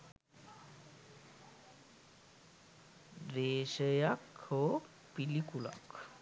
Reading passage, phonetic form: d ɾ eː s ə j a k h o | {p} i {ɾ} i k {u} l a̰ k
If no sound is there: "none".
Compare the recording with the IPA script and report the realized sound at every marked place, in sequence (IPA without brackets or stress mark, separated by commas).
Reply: p, l, u